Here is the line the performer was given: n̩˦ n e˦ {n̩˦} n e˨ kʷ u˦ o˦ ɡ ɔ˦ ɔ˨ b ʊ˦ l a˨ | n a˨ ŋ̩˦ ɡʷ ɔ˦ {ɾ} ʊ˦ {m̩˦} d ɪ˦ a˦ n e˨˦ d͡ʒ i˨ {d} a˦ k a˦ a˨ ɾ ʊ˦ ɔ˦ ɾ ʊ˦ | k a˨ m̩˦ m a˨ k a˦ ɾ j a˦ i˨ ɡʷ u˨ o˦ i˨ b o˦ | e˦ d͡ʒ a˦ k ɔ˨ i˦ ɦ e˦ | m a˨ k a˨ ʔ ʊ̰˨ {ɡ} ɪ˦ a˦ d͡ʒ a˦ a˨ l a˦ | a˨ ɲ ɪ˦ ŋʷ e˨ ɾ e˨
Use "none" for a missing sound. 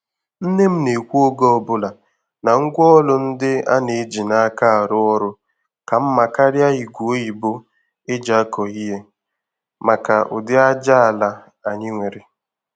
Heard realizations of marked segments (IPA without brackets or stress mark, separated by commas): m̩˦, l, n̩˦, n, d